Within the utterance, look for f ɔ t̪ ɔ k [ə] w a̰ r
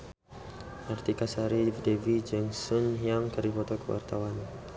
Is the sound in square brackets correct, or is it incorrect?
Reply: correct